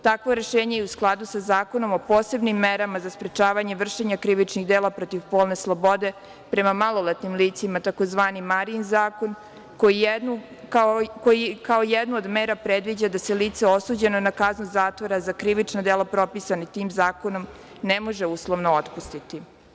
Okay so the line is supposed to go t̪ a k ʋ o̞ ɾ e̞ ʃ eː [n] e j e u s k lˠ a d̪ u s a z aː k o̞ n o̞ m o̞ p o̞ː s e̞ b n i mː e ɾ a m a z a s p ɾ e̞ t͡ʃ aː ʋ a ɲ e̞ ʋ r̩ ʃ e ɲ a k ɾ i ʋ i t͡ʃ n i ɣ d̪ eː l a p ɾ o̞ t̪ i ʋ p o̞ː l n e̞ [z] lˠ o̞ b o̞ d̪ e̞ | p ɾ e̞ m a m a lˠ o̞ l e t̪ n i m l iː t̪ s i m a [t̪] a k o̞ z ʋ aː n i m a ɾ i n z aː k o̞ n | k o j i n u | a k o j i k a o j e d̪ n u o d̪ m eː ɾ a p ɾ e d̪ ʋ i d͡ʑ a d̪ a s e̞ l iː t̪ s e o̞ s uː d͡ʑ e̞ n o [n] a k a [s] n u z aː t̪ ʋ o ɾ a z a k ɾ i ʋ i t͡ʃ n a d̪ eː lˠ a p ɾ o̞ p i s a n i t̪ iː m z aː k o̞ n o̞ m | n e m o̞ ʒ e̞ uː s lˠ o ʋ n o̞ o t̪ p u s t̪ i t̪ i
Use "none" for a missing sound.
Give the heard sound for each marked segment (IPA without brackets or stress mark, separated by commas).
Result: ɲ, s, t̪, n, z